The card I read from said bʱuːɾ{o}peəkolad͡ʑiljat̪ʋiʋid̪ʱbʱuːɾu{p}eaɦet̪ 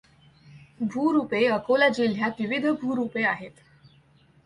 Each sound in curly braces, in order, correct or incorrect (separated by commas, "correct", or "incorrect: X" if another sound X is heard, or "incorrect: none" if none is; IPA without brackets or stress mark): incorrect: u, correct